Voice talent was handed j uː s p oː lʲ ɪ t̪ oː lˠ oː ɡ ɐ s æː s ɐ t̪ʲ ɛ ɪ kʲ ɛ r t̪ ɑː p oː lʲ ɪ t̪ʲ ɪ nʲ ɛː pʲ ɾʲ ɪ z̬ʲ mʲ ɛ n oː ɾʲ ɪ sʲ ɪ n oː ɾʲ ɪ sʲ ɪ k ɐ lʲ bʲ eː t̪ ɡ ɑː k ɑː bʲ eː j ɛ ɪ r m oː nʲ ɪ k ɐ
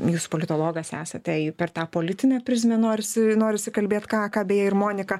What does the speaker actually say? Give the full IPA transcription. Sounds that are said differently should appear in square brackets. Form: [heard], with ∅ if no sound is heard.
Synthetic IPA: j uː s p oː lʲ ɪ t̪ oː lˠ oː ɡ ɐ s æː s ɐ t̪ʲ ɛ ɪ [pʲ] ɛ r t̪ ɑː p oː lʲ ɪ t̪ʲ ɪ nʲ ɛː pʲ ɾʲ ɪ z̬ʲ mʲ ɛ n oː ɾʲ ɪ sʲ ɪ n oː ɾʲ ɪ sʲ ɪ k ɐ lʲ bʲ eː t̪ [k] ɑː k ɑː bʲ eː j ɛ ɪ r m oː nʲ ɪ k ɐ

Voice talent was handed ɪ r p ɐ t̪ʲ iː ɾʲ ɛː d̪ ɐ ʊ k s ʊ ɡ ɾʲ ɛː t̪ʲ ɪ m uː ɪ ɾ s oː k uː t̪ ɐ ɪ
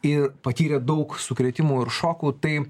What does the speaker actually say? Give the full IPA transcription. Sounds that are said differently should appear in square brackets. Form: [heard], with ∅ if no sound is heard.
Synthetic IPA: ɪ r p ɐ t̪ʲ iː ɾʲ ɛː d̪ ɐ ʊ k s ʊ [k] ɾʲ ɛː t̪ʲ ɪ m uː ɪ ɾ [ʃ] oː k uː t̪ ɐ ɪ

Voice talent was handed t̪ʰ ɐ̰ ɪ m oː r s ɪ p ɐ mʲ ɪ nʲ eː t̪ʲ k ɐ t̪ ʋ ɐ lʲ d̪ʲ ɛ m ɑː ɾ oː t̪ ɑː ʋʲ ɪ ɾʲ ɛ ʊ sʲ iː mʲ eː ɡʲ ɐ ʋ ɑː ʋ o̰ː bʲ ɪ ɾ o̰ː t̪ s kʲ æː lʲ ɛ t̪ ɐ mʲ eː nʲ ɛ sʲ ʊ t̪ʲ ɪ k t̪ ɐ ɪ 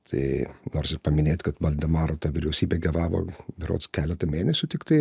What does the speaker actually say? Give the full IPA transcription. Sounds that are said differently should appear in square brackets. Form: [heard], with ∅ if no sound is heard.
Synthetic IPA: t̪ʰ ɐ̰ ɪ [n] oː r s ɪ p ɐ mʲ ɪ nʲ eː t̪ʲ k ɐ t̪ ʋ ɐ lʲ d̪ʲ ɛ m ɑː ɾ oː t̪ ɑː ʋʲ ɪ ɾʲ ɛ ʊ sʲ iː [bʲ] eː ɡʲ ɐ ʋ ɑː ʋ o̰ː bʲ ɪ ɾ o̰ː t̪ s kʲ æː lʲ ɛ t̪ ɐ mʲ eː nʲ ɛ sʲ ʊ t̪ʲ ɪ k t̪ ɐ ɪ

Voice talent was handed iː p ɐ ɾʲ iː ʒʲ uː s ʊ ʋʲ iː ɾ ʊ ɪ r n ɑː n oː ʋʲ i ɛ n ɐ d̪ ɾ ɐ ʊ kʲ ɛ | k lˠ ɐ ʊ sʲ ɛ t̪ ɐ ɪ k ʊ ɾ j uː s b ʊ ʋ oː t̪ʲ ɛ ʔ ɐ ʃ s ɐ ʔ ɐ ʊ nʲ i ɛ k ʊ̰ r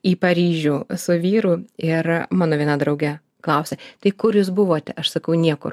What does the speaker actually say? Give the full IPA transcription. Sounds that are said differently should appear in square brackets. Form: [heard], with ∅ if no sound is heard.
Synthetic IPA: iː p ɐ ɾʲ iː ʒʲ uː s ʊ ʋʲ iː ɾ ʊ ɪ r [m] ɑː n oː ʋʲ i ɛ n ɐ d̪ ɾ ɐ ʊ [ɡʲ] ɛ | k lˠ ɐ ʊ sʲ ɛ t̪ ɐ ɪ k ʊ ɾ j uː s b ʊ ʋ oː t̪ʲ ɛ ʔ ɐ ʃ s ɐ [k] ɐ ʊ nʲ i ɛ k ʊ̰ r

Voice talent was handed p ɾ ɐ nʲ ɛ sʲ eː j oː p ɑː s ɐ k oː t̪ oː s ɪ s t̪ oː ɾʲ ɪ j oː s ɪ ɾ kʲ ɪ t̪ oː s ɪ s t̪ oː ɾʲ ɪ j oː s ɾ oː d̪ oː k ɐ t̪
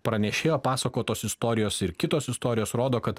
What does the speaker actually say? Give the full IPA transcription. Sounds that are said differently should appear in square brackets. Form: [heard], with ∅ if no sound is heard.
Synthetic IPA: p ɾ ɐ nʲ ɛ [ʃʲ] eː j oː p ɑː s ɐ k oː t̪ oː s ɪ s t̪ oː ɾʲ ɪ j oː s ɪ ɾ kʲ ɪ t̪ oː s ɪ s t̪ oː ɾʲ ɪ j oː s ɾ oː d̪ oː k ɐ t̪

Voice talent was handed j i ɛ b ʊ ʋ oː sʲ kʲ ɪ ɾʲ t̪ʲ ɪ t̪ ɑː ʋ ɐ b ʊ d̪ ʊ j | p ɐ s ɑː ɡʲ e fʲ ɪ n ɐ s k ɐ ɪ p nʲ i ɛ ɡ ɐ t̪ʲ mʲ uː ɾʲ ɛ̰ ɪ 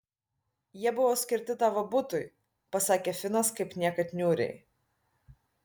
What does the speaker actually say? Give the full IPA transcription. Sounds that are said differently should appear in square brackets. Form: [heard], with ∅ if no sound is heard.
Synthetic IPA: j i ɛ b ʊ ʋ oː sʲ kʲ ɪ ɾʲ t̪ʲ ɪ t̪ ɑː ʋ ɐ b ʊ [t̪] ʊ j | p ɐ s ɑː [kʲ] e fʲ ɪ n ɐ s k ɐ ɪ p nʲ i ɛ [k] ɐ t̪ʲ [nʲ] uː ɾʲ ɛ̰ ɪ

